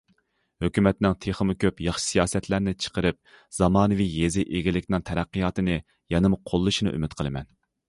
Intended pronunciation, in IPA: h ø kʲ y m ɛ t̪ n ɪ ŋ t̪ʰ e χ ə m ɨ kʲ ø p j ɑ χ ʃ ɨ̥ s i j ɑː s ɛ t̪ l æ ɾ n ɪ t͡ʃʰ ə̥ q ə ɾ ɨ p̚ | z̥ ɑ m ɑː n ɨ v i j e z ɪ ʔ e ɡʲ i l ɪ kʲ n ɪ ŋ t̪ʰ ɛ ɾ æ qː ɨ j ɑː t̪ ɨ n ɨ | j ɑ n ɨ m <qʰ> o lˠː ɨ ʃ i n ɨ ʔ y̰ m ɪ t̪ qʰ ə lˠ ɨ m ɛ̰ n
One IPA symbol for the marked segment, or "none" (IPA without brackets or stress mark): qʰ